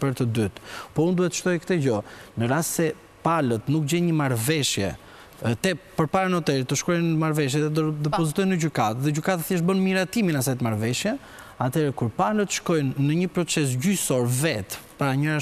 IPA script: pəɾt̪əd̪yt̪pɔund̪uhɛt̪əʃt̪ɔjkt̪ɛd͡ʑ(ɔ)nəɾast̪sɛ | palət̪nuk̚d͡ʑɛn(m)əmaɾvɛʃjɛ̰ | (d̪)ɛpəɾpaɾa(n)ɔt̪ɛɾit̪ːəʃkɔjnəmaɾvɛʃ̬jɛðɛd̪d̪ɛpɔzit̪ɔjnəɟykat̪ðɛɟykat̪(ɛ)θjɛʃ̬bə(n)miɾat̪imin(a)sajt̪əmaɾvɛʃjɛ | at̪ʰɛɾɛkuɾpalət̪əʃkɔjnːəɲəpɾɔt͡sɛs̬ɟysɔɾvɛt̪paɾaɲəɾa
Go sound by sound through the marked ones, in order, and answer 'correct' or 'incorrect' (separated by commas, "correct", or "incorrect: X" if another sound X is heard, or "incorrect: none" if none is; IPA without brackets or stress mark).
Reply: correct, incorrect: ɲ, incorrect: t̪, correct, incorrect: a, correct, correct